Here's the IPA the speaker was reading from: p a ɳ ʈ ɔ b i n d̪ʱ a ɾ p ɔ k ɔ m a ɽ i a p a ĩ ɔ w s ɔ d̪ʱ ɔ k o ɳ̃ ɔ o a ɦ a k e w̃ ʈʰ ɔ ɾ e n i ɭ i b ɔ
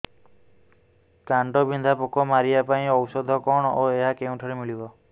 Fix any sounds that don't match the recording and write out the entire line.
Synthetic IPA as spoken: k a ɳ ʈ ɔ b i n d̪ʱ a p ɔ k ɔ m a ɾ i a p a ĩ ɔ w s ɔ d̪ʱ ɔ k ɔ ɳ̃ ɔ o e ɦ a k e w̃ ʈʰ ɔ ɾ e m i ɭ i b ɔ